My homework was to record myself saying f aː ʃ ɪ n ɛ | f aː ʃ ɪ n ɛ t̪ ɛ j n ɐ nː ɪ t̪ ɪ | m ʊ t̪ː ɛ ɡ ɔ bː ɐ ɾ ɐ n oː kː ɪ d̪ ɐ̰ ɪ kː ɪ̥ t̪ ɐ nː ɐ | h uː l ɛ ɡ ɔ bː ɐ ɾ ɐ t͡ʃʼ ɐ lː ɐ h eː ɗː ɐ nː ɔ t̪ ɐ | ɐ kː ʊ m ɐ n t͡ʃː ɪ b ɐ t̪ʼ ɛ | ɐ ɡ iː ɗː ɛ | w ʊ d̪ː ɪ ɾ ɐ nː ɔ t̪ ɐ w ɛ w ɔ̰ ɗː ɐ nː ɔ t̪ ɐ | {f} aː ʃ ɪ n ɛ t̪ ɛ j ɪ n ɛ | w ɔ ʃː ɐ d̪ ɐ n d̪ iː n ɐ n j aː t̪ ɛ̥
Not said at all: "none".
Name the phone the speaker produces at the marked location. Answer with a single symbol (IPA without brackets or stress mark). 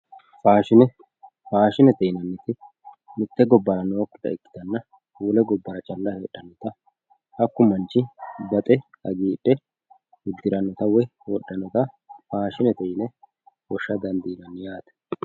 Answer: f